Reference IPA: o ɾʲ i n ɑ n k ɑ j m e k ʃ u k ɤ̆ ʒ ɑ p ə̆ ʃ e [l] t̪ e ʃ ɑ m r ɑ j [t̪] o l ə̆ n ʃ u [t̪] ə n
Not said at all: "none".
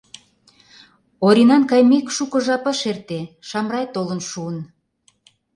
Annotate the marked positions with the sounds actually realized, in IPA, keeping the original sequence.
r, t̪, none

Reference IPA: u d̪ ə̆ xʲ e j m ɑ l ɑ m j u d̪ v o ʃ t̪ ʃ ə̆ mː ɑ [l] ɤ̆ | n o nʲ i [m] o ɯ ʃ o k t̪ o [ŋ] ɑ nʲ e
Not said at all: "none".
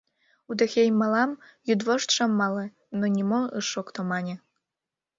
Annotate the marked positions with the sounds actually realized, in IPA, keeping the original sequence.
l, m, m

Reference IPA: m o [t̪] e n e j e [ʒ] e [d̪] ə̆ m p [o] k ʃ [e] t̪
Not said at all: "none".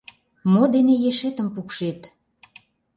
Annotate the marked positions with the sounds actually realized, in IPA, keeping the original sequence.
d̪, ʃ, t̪, u, e

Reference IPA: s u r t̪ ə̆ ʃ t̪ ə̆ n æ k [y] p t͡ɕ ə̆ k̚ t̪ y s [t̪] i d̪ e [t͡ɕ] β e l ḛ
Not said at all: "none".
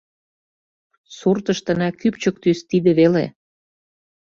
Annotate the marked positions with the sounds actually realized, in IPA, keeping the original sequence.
y, t̪, none

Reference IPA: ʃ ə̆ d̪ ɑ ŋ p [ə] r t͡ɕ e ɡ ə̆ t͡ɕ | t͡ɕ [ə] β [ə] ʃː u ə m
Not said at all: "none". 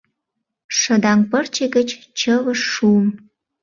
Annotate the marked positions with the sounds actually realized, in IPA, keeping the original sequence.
ə, ə, ə

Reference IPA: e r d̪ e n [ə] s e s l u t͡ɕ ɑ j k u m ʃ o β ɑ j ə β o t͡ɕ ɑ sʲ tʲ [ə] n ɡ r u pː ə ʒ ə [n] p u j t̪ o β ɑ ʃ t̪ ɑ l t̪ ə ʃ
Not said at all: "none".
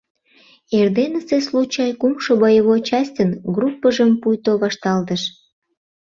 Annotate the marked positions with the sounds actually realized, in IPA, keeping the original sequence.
ə, ə, m

